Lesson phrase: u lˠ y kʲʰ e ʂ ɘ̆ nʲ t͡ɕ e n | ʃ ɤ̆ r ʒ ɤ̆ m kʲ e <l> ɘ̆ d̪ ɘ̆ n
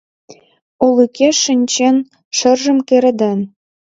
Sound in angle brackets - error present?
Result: yes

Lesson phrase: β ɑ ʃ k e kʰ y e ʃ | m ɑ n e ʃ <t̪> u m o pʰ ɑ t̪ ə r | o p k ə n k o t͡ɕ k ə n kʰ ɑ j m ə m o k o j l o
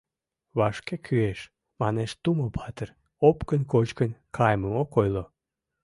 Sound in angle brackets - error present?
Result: no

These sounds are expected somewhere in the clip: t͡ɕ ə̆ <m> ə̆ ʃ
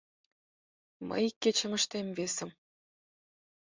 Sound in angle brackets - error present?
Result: no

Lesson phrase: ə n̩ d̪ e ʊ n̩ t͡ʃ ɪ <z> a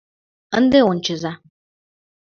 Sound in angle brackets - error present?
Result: no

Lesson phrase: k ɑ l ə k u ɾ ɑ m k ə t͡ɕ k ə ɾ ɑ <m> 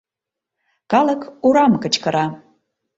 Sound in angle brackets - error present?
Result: yes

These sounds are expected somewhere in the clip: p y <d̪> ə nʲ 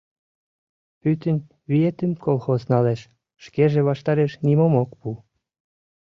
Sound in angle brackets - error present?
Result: yes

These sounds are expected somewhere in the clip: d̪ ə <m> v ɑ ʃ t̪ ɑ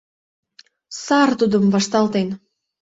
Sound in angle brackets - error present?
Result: no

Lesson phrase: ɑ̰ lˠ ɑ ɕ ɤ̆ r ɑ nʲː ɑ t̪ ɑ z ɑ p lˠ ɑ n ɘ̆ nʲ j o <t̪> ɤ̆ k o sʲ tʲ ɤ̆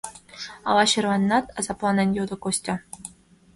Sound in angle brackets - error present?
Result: yes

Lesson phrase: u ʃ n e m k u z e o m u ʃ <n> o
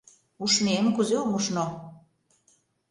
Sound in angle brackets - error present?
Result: no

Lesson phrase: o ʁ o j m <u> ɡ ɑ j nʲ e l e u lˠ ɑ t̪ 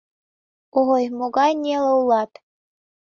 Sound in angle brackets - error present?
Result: yes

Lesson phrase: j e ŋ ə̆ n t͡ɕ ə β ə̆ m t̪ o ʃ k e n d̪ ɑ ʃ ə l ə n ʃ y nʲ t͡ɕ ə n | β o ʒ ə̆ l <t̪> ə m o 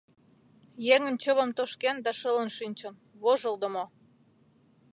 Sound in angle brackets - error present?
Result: yes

